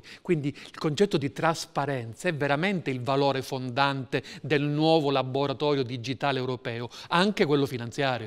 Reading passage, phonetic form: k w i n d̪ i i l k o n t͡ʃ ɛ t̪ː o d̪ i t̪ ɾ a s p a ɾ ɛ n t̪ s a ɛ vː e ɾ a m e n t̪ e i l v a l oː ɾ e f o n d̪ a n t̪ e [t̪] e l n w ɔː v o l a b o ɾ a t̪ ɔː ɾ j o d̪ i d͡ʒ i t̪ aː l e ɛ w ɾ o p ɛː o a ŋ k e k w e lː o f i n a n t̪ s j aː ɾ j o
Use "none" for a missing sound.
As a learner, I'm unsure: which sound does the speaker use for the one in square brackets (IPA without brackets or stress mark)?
d̪